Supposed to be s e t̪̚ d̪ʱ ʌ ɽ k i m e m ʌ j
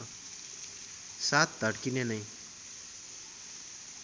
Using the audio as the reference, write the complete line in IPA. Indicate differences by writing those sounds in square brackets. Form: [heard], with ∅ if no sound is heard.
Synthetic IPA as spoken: s [a] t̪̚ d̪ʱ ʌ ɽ k i [n] e [n] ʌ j

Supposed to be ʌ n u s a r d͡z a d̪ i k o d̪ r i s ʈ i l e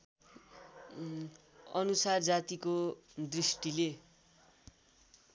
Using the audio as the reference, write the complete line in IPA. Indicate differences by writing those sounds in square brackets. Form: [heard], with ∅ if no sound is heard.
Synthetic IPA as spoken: ʌ n u s a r d͡z a [t̪] i k o d̪ r i s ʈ i l e

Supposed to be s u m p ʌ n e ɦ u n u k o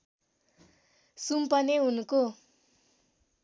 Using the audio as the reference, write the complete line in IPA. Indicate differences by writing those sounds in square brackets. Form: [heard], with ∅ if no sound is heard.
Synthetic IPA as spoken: s u m p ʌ n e ɦ u n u k o

